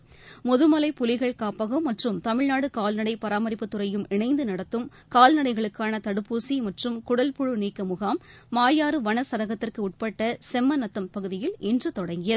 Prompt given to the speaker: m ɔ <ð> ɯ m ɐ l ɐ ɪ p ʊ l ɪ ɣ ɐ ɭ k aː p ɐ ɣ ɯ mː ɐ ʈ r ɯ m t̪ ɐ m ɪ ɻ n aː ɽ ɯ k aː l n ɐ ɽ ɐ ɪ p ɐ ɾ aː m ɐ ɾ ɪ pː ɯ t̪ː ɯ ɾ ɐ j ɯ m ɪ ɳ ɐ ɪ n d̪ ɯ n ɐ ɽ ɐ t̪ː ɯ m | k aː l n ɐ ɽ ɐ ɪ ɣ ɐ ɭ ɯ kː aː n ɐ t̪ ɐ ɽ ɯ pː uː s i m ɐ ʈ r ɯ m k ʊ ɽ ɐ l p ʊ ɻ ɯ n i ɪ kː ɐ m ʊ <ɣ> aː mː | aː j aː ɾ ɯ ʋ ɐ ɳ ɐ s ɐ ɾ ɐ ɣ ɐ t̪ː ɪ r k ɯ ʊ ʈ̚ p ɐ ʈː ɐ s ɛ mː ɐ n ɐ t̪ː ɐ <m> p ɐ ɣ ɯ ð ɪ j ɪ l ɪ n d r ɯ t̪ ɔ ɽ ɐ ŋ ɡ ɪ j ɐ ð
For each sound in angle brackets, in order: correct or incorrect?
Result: correct, correct, correct

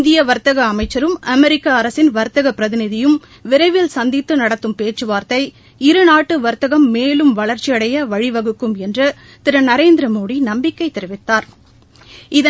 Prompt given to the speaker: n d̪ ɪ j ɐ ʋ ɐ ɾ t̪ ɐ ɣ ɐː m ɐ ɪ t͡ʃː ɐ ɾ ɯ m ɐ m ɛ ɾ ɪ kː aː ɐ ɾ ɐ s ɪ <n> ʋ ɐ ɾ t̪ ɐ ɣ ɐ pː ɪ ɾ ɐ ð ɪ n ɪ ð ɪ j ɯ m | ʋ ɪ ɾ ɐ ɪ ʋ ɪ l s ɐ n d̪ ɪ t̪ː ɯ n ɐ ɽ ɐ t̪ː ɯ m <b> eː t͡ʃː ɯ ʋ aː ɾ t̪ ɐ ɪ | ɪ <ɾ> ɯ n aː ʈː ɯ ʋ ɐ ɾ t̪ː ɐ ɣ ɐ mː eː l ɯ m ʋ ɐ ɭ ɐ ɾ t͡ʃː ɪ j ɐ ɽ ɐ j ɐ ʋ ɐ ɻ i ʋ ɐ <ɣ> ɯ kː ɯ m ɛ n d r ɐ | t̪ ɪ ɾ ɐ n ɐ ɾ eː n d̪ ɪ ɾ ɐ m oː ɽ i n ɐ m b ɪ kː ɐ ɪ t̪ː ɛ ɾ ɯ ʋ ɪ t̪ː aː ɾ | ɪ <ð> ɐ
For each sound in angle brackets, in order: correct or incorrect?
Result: correct, incorrect, correct, correct, correct

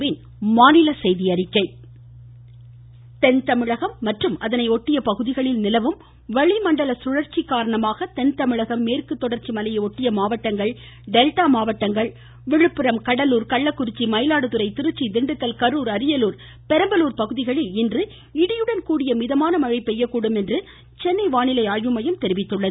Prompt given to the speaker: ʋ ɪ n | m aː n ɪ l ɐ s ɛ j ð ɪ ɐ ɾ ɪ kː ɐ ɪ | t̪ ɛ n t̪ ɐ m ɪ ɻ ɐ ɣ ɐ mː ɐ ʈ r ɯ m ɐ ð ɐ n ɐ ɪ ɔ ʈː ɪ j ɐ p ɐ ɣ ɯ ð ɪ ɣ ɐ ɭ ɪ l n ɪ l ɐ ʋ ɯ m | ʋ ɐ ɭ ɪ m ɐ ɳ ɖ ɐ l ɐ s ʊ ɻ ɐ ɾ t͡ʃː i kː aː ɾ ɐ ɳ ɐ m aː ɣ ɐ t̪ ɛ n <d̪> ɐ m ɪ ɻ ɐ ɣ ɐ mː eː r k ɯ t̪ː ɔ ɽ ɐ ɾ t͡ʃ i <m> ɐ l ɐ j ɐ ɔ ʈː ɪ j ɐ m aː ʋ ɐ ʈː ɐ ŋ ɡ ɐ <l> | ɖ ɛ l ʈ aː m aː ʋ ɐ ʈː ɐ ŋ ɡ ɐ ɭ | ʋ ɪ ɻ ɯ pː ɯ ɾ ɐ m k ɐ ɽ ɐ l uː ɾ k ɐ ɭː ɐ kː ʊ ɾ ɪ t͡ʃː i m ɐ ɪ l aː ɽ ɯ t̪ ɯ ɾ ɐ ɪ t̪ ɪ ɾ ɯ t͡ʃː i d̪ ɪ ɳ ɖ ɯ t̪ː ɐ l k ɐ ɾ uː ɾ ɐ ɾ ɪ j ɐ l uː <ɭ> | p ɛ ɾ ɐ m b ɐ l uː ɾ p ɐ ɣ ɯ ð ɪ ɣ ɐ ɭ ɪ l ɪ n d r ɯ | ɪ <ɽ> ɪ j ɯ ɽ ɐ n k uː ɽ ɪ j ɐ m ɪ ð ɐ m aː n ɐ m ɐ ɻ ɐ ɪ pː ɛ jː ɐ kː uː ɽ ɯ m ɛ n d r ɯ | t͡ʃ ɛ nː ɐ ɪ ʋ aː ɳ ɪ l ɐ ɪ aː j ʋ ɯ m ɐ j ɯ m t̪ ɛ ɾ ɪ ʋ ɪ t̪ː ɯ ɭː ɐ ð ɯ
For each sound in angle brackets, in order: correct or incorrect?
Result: incorrect, correct, incorrect, incorrect, correct

